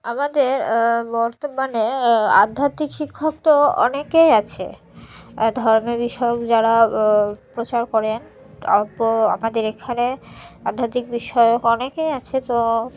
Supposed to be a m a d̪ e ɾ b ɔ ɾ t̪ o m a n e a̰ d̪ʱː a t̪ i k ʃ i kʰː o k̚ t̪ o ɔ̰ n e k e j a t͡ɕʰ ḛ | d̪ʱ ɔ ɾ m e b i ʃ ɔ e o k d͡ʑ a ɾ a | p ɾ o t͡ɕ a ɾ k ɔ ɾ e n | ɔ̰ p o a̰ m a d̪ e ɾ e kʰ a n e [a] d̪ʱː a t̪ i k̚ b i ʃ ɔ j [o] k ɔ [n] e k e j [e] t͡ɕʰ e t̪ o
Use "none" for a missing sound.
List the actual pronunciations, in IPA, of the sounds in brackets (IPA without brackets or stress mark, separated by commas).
a, o, n, a